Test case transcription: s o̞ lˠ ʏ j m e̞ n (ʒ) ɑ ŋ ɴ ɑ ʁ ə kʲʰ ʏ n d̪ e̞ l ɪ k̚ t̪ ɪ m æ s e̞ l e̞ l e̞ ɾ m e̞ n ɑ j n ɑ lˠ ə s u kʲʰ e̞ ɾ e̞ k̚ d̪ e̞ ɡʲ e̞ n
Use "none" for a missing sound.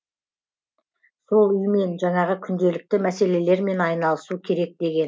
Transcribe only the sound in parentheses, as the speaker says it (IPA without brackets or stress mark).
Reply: ʒ